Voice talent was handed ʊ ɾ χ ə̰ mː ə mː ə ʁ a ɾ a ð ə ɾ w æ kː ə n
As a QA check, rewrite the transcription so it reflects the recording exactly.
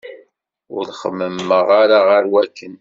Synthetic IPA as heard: ʊ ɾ χ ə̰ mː ə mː ə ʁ a ɾ a ʁ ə ɾ w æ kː ə n